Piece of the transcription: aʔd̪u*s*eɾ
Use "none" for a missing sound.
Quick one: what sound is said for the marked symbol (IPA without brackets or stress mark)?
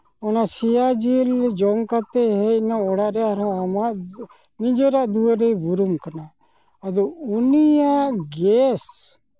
none